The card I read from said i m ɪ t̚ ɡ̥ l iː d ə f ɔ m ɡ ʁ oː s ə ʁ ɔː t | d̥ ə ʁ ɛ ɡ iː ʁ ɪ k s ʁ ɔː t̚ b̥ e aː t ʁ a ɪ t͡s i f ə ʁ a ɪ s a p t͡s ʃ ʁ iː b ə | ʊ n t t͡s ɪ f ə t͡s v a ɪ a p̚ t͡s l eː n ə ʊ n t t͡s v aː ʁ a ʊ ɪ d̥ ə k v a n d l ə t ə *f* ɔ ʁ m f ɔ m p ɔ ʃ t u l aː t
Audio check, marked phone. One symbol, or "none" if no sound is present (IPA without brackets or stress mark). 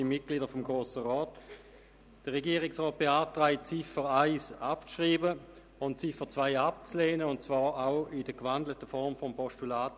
f